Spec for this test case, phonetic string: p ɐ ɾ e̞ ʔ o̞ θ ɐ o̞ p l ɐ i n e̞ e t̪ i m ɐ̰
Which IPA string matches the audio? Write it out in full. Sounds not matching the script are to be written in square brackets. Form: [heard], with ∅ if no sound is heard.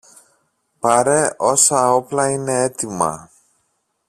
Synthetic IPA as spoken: p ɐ ɾ e̞ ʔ o̞ [s] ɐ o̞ p l ɐ i n e̞ e t̪ i m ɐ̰